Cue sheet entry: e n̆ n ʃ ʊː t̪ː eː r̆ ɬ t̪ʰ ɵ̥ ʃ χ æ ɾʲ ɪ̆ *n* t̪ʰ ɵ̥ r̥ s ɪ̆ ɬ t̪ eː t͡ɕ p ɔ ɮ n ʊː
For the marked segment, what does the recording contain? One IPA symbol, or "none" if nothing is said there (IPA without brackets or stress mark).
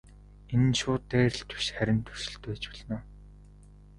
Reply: n